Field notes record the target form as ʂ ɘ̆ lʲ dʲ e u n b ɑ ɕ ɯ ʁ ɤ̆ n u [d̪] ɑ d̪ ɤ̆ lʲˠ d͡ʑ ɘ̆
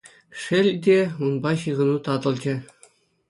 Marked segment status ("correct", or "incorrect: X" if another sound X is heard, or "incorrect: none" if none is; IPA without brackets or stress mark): incorrect: t̪